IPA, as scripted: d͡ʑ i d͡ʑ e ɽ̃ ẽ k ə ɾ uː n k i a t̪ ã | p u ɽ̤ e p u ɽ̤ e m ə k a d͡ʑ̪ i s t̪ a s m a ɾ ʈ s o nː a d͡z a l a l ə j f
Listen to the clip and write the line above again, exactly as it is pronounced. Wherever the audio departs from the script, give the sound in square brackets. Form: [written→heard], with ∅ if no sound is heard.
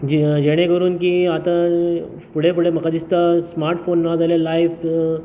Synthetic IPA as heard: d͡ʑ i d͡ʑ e ɽ̃ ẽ k ə ɾ uː n k i a t̪ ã | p u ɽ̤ e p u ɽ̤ e m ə k a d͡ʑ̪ i s t̪ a s m a ɾ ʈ [s→f] o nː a d͡z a l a l [ə→a] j f